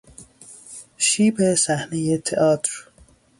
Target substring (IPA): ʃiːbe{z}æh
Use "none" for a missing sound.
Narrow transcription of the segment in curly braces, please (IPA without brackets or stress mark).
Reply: s